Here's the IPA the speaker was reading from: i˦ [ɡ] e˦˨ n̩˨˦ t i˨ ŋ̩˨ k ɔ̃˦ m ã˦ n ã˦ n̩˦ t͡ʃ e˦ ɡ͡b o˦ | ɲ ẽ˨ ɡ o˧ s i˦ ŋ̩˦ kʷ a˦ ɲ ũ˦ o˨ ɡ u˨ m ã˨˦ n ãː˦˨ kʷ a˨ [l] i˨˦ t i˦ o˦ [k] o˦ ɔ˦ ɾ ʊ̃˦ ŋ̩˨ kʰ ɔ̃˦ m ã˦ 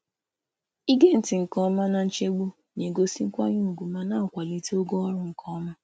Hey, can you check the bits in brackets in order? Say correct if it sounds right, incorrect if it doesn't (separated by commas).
correct, correct, incorrect